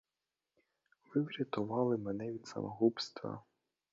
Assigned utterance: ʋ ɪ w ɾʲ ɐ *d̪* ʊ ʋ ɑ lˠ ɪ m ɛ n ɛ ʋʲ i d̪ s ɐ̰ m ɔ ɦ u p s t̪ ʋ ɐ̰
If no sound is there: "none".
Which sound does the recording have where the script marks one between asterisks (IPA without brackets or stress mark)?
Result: t̪